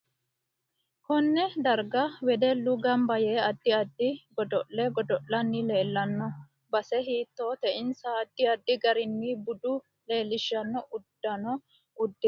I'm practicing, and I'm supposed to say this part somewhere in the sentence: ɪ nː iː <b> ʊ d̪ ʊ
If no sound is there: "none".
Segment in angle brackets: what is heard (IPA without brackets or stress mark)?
b